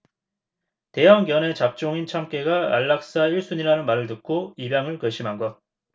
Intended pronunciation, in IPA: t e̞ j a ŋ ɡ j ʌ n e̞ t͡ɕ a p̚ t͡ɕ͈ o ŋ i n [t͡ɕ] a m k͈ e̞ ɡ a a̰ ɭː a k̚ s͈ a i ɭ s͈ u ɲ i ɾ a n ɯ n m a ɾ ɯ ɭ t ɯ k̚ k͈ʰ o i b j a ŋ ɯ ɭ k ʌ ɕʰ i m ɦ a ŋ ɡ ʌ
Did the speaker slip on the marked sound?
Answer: yes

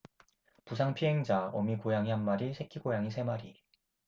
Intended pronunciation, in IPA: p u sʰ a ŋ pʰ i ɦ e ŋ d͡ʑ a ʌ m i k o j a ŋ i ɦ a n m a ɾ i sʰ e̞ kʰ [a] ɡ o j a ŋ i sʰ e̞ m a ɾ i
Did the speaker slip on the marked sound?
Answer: yes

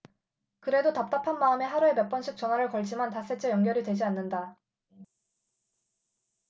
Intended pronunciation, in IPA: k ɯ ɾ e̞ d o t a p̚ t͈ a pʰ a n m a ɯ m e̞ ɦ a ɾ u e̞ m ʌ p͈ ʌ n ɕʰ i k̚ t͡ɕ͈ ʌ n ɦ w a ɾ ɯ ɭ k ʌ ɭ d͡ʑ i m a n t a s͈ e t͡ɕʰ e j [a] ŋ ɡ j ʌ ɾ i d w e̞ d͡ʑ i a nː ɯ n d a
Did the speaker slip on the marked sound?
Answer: yes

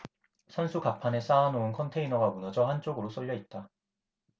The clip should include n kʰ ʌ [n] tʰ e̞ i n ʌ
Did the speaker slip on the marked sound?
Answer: no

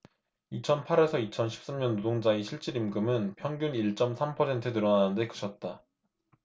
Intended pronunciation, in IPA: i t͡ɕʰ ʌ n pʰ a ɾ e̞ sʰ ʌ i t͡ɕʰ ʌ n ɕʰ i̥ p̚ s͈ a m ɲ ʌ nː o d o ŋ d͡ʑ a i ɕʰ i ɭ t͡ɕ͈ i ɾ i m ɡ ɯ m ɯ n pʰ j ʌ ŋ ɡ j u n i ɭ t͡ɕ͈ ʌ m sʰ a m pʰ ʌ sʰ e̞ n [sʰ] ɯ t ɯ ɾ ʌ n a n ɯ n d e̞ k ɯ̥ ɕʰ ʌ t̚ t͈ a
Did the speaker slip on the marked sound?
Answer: yes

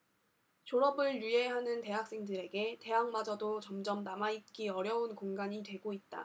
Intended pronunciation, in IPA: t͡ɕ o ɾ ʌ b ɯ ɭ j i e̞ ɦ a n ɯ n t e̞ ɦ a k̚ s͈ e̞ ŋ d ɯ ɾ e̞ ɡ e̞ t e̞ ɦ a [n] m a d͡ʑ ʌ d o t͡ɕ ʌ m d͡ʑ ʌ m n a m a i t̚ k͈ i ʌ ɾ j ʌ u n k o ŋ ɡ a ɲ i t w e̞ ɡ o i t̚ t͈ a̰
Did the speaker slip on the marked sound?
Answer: yes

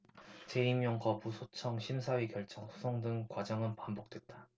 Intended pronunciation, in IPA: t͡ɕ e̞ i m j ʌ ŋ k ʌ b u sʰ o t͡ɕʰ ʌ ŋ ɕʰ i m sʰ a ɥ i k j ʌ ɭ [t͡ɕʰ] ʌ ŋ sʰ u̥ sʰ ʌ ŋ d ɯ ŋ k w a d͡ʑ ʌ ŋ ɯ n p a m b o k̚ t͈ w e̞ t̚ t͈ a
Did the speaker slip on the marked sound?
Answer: no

